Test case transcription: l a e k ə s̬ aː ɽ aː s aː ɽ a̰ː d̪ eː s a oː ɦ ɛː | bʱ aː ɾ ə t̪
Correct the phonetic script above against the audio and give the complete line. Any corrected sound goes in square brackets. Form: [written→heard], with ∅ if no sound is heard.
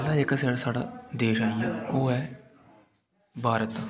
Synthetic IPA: l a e k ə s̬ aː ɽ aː s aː ɽ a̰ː d̪ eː [s→ʃ] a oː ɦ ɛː | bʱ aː ɾ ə t̪